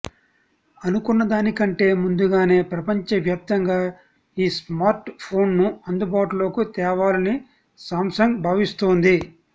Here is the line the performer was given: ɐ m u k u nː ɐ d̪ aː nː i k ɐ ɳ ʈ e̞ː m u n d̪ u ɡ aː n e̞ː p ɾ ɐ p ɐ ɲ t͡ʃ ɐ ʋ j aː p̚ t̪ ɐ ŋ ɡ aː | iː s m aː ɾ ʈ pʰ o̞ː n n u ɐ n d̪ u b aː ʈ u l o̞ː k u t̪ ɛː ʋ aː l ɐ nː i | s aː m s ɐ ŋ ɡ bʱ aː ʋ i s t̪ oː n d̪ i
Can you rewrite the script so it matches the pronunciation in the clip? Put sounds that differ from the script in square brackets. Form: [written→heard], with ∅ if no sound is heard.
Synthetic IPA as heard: ɐ [m→n] u k u nː ɐ d̪ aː [nː→n] i k ɐ ɳ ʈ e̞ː m u n d̪ u ɡ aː n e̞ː p ɾ ɐ p ɐ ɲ t͡ʃ ɐ ʋ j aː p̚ t̪ ɐ ŋ ɡ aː | iː s m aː ɾ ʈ pʰ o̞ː n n u ɐ n d̪ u b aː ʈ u l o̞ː k u t̪ ɛː ʋ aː l ɐ [nː→n] i | s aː m s ɐ ŋ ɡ bʱ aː ʋ i s t̪ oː n d̪ i